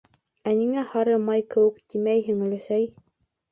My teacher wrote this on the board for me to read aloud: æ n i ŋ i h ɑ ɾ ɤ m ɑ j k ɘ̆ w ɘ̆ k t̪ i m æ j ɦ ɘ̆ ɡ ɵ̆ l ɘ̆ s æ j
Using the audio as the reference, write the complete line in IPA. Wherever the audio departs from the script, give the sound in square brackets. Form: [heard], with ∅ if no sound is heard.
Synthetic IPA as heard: æ n i ŋ [æ] h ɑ ɾ ɤ m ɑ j k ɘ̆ w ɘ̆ k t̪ i m æ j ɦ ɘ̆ [ŋ] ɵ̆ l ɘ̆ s æ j